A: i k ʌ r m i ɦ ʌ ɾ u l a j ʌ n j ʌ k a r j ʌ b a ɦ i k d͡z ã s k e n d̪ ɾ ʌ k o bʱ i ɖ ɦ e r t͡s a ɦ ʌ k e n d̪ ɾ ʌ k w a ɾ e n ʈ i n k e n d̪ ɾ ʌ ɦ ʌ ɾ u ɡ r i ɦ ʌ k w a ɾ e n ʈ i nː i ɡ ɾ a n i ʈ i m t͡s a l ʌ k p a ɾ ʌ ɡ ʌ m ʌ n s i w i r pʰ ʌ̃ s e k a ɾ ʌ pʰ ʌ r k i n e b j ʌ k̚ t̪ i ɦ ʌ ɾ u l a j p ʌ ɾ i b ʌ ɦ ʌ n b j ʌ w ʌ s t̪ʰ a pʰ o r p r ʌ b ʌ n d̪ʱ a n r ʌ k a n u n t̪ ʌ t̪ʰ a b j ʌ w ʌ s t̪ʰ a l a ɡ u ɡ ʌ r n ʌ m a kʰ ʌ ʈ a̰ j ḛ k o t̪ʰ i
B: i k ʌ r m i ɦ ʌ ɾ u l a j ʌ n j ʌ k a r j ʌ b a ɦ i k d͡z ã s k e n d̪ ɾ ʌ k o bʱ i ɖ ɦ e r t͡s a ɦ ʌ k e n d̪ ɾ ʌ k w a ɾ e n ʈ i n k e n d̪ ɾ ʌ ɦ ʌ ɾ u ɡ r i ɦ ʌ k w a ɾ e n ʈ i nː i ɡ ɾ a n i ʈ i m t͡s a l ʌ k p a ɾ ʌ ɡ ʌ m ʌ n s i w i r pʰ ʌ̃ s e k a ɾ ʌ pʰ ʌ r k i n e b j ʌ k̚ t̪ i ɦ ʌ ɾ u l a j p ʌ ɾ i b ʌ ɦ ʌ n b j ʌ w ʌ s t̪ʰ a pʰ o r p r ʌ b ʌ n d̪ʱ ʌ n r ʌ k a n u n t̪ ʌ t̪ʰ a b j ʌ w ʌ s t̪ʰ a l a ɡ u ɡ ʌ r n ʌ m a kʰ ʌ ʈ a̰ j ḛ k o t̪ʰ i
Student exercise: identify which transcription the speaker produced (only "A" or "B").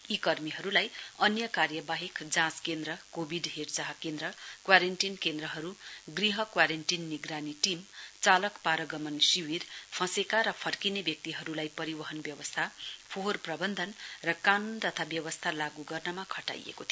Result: B